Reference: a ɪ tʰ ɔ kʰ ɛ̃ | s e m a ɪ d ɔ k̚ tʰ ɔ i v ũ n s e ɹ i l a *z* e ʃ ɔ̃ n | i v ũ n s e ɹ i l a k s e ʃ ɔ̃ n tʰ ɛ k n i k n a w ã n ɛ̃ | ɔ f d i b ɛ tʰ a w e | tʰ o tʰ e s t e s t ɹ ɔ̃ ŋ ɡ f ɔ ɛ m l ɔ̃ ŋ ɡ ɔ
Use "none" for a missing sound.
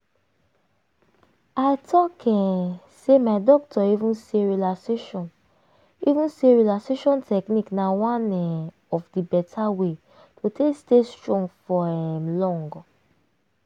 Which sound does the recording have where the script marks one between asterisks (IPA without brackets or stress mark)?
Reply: s